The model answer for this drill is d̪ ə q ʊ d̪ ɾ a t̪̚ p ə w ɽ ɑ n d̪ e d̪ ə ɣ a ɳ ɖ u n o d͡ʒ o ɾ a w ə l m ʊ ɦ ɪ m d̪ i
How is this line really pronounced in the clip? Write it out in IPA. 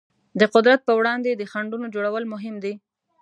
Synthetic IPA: d̪ ə q ʊ d̪ ɾ a t̪̚ p ə w ɽ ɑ n d̪ e d̪ ə x a ɳ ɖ u n o d͡ʒ o ɽ a w ə l m ʊ ɦ ɪ m d̪ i